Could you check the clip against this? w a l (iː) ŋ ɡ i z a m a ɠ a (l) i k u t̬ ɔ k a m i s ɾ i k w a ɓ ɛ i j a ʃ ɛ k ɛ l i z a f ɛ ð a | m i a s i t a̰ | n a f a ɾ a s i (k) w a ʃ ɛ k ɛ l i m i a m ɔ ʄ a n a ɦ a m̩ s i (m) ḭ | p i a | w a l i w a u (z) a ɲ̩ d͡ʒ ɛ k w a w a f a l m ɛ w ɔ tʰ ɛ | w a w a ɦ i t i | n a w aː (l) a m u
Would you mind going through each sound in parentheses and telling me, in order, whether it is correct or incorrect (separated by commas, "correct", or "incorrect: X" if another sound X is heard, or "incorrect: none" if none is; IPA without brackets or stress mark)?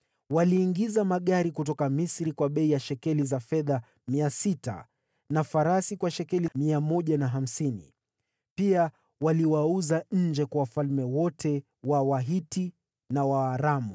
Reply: correct, incorrect: ɾ, correct, incorrect: n, correct, incorrect: ɾ